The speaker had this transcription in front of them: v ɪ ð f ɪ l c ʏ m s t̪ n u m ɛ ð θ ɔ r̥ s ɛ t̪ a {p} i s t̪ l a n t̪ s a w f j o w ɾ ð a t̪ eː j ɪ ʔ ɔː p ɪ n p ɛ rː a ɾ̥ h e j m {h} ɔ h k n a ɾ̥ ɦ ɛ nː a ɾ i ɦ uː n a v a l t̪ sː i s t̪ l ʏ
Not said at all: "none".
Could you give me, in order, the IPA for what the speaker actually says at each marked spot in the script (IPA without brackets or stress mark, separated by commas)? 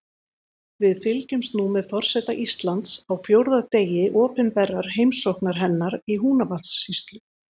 ʔ, s